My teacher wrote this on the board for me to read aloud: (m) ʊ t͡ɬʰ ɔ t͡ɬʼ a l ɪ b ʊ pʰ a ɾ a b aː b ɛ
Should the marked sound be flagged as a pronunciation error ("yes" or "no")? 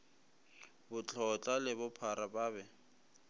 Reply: yes